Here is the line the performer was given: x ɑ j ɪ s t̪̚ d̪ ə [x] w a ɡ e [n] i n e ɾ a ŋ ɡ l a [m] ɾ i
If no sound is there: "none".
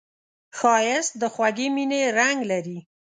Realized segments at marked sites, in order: x, m, none

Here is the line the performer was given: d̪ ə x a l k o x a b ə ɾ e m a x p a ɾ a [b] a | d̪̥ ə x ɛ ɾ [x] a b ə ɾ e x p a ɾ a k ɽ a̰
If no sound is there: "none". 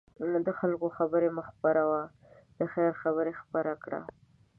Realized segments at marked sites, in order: w, x

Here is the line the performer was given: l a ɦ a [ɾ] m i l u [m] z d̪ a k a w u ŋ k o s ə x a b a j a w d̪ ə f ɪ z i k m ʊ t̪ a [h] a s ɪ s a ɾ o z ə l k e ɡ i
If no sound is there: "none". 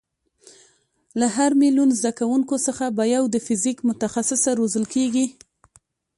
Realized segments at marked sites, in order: ɾ, n, x

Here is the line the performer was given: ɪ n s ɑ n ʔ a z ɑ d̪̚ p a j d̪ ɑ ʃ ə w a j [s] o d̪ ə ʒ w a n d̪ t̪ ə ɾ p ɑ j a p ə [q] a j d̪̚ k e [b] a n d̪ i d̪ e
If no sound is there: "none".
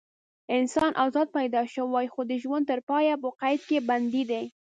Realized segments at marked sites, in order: x, q, b

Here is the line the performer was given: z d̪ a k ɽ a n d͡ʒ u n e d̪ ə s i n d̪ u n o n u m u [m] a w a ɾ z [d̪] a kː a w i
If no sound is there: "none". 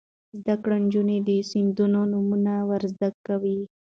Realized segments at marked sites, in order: n, d̪

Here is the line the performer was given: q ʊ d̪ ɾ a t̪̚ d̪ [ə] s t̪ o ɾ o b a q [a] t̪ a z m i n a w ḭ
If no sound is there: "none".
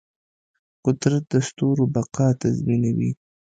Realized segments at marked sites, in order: ə, ɑ

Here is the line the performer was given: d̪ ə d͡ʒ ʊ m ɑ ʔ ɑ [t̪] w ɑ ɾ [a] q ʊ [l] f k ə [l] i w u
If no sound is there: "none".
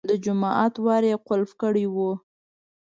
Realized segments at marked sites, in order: t̪, e, l, ɽ

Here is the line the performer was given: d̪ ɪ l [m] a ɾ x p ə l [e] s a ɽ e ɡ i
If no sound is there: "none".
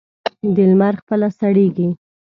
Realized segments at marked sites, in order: m, a

